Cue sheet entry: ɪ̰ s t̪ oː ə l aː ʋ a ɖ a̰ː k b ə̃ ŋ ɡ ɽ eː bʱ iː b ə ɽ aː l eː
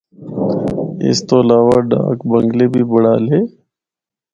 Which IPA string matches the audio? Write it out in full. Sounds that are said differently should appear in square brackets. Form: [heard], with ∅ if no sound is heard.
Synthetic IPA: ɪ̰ s t̪ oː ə l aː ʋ a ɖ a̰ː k b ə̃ ŋ ɡ [l] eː bʱ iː b ə ɽ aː l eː